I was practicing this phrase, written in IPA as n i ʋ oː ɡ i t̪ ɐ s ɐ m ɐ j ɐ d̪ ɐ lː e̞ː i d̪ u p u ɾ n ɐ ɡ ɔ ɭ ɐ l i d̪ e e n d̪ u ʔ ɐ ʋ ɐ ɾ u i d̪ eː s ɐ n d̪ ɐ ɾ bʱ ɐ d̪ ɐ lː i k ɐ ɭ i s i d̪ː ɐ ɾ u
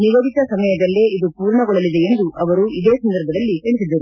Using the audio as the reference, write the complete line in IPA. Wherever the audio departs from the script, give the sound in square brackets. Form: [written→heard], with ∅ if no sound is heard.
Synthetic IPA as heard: n i ʋ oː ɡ i t̪ ɐ s ɐ m ɐ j ɐ d̪ ɐ lː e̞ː i d̪ u p [u→uː] ɾ [n→ɳ] ɐ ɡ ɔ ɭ ɐ l i d̪ e e n d̪ u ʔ ɐ ʋ ɐ ɾ u i d̪ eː s ɐ n d̪ ɐ ɾ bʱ ɐ d̪ ɐ lː i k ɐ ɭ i s i d̪ː ɐ ɾ u

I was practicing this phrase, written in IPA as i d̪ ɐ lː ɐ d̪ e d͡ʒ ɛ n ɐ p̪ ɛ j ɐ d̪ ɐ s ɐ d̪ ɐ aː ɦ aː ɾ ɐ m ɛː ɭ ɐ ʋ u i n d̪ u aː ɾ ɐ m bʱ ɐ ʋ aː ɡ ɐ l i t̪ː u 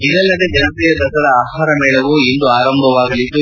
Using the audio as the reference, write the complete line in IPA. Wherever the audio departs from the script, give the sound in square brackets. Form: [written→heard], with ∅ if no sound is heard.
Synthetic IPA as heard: i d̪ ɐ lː ɐ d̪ e d͡ʒ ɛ n ɐ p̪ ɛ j ɐ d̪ ɐ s ɐ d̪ ɐ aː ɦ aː ɾ ɐ m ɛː ɭ ɐ ʋ u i n d̪ u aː ɾ ɐ m bʱ ɐ ʋ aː ɡ ɐ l i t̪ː u

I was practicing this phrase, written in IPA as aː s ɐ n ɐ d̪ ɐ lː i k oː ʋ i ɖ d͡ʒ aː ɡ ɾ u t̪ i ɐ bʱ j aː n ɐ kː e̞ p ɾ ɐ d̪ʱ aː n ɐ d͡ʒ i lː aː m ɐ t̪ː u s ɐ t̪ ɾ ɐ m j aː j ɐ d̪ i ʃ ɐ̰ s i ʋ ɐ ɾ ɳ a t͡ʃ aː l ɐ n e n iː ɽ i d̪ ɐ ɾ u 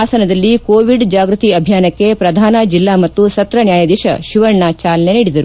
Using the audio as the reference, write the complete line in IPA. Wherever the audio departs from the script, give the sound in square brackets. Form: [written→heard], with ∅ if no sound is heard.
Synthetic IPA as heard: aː s ɐ n ɐ d̪ ɐ lː i k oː ʋ i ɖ d͡ʒ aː ɡ ɾ u t̪ i ɐ bʱ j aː n ɐ kː e̞ p ɾ ɐ d̪ʱ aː n ɐ d͡ʒ i lː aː m ɐ t̪ː u s ɐ t̪ ɾ ɐ [m→n] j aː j ɐ d̪ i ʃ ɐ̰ [s→ʃ] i ʋ ɐ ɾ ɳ a t͡ʃ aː l ɐ n e n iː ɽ i d̪ ɐ ɾ u

